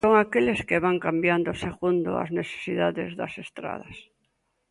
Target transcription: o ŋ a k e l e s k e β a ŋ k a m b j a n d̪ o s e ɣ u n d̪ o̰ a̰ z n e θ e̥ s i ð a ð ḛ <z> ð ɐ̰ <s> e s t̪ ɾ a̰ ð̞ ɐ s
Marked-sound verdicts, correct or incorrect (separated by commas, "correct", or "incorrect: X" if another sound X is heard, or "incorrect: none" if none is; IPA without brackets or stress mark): correct, correct